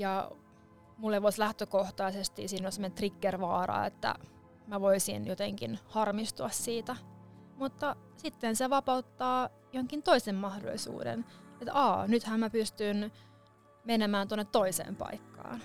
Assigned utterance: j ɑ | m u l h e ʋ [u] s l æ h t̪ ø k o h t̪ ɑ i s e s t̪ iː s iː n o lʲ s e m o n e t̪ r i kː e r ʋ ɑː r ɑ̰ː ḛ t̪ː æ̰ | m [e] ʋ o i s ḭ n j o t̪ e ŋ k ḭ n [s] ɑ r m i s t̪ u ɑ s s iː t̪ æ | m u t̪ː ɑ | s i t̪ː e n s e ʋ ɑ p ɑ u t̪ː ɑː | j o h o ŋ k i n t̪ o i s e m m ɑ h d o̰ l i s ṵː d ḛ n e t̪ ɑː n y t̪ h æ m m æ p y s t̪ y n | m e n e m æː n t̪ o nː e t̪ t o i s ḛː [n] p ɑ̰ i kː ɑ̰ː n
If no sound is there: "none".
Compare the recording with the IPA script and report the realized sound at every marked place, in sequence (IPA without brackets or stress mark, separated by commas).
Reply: o, æ, h, m